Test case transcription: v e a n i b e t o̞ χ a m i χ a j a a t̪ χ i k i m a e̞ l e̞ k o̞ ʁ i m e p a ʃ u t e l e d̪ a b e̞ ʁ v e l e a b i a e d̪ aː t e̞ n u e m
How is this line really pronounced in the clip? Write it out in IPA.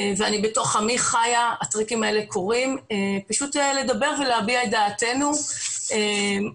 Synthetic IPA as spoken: v e a n i b e t o̞ χ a m i χ a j a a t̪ ʁ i k i m a e̞ l e̞ k o̞ ʁ i m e p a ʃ u t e l e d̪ a b e̞ ʁ v e l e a b i a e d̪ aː t e̞ n u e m

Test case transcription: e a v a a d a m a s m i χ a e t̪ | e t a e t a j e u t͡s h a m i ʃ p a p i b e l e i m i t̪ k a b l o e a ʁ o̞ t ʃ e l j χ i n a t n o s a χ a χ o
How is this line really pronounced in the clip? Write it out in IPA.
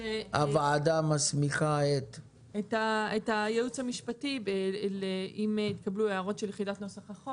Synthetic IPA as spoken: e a v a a d a m a s m i χ a e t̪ | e t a e t a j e u t͡s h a m i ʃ p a t i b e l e i m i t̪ k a b l u e a ʁ o̞ t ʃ e l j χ i d a t n o s a χ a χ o

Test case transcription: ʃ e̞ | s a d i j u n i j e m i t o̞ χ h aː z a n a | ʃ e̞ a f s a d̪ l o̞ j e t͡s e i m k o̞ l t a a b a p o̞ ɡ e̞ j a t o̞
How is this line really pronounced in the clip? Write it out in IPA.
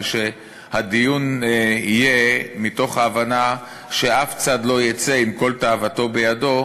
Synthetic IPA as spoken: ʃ e̞ | h a d i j u n i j e m i t o̞ χ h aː v a n a | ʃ e̞ a f t͡s a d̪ l o̞ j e t͡s e i m k o̞ l t a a v a t o̞ b e̞ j a d o̞

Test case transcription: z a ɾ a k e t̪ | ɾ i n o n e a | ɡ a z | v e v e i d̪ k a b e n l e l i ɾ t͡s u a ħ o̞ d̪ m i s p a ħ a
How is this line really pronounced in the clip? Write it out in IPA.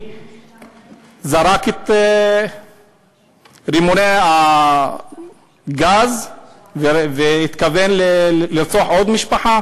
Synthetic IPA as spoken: z a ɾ a k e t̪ | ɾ i m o n e a | ɡ a z | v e v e i t̪ k a v e n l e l i ɾ t͡s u a ħ o̞ d̪ m i ʃ p a ħ a

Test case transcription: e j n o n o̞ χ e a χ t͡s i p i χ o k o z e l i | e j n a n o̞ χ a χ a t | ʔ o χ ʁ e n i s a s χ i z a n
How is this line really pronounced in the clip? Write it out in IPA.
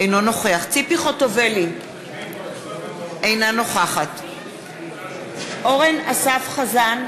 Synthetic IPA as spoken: e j n o n o̞ χ e a χ t͡s i p i χ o t o v e l i | e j n a n o̞ χ a χ a t | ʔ o ʁ e n a s a f χ a z a n

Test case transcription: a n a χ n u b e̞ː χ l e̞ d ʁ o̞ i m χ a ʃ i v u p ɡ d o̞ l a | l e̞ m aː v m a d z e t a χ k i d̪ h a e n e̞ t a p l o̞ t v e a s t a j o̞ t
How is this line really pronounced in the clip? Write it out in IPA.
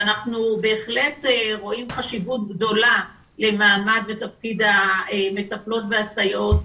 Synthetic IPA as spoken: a n a χ n u b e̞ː χ l e̞ t ʁ o̞ i m χ a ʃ i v u t ɡ d o̞ l a | l e̞ m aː m a d v e t a f k i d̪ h a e m e̞ t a p l o̞ t v e a s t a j o̞ t

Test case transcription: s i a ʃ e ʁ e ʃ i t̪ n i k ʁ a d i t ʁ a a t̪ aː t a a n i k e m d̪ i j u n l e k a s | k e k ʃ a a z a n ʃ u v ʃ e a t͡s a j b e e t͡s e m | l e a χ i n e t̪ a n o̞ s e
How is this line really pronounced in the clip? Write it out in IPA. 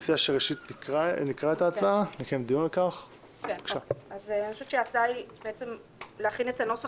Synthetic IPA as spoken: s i a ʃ e ʁ e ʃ i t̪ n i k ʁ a n i k ʁ a e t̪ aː t͡s a a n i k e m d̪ i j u n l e k a χ | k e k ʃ a a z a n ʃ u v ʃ e a t͡s a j b e e t͡s e m | l e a χ i n e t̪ a n o̞ s a

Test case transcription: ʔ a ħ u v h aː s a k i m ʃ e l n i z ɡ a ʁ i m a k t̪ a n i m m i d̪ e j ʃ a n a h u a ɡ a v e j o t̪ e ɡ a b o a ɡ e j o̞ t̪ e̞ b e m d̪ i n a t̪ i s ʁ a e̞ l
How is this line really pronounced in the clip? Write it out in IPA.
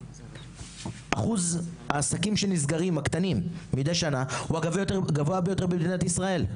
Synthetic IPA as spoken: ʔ a χ u z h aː s a k i m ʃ e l n i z ɡ a ʁ i m a k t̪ a n i m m i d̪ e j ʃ a n a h u a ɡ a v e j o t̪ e ɡ a v o a b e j o̞ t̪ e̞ b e m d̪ i n a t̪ i s ʁ a e̞ l

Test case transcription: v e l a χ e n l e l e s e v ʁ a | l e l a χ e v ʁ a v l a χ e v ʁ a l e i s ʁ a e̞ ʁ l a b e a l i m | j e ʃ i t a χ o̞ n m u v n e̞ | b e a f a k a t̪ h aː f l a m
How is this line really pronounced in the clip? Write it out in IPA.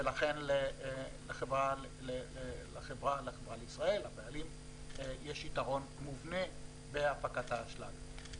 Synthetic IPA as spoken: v e l a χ e n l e l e χ e v ʁ a | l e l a χ e v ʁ a l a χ e v ʁ a l e i s ʁ a e̞ l a b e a l i m | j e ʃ i t a ʁ o̞ n m u v n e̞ | b e a f a k a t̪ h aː ʃ l a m

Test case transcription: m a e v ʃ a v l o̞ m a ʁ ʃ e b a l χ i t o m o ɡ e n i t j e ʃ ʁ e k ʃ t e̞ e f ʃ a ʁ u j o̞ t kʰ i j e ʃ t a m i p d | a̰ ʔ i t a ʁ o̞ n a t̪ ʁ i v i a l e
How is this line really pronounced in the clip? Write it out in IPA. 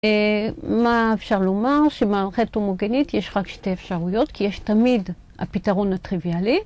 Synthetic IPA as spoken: m a e f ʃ a ʁ l o̞ m a ʁ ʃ e m a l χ e t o m o ɡ e n i t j e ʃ ʁ a k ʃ t e̞ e f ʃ a ʁ u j o̞ t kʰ i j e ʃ t a m i d | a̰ p i t a ʁ o̞ n a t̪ ʁ i v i a l i

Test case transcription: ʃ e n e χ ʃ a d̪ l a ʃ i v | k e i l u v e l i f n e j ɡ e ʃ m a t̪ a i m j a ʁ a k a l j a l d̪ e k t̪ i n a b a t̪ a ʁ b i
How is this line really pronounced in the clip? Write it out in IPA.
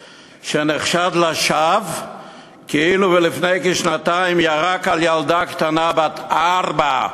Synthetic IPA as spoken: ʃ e n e χ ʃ a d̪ l a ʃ a v | k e i l u v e l i f n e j k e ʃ n a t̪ a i m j a ʁ a k a l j a l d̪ a k t̪ a n a b a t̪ a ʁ b a

